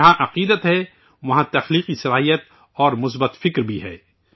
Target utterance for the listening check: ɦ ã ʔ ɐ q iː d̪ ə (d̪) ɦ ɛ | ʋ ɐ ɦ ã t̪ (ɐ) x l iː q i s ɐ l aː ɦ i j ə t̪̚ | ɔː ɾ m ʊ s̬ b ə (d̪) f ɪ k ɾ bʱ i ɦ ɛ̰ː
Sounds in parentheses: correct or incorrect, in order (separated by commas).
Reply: incorrect, correct, incorrect